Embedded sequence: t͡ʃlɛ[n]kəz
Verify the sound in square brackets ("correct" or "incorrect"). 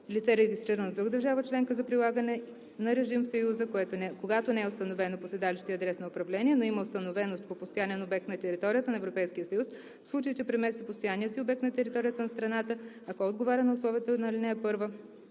incorrect